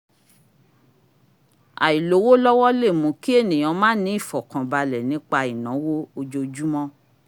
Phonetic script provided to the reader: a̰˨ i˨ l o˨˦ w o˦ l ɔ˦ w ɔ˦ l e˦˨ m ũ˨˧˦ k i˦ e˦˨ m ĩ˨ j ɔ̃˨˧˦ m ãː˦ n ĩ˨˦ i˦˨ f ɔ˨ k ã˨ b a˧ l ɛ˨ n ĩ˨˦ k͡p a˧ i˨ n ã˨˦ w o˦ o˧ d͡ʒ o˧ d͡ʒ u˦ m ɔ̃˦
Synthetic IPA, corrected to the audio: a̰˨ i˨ l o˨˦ w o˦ l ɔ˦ w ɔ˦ l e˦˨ m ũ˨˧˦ k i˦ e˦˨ n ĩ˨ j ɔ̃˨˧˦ m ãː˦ n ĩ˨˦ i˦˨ f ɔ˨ k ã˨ b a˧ l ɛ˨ n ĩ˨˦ k͡p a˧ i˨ n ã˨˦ w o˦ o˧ d͡ʒ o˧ d͡ʒ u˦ m ɔ̃˦